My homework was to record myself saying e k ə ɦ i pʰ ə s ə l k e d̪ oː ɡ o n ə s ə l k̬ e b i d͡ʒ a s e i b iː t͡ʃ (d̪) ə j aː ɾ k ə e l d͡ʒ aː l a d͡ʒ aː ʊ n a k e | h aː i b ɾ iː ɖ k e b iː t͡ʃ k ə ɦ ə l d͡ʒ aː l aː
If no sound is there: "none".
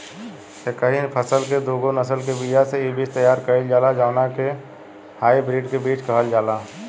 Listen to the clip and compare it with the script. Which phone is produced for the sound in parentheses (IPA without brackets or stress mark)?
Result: t̪